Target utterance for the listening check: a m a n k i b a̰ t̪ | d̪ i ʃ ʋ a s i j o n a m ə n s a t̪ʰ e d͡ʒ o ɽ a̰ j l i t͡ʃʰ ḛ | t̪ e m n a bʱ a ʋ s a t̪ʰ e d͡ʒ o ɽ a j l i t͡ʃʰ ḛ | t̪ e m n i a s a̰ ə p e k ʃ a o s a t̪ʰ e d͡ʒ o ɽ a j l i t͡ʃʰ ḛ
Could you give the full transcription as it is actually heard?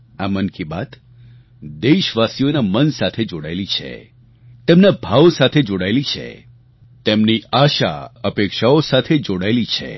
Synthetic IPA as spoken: a m ə n k i b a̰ t̪ | d̪ e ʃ ʋ a s i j o n a m ə n s a t̪ʰ e d͡ʒ o ɽ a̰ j l i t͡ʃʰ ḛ | t̪ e m n a bʱ a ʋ s a t̪ʰ e d͡ʒ o ɽ a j l i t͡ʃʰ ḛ | t̪ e m n i a ʃ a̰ ə p e k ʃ a o s a t̪ʰ e d͡ʒ o ɽ a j l i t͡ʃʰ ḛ